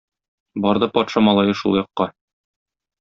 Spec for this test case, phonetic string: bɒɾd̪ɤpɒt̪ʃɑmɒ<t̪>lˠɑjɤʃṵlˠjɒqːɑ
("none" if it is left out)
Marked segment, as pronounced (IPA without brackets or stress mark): none